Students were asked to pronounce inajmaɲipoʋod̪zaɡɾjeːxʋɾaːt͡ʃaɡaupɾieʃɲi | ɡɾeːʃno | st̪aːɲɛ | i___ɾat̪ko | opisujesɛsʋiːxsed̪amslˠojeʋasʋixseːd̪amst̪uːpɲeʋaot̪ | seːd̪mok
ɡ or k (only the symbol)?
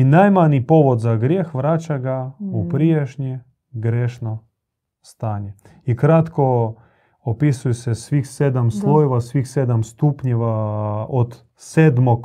k